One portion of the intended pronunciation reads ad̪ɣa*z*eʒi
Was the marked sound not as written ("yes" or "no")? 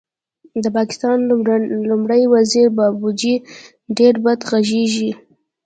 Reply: yes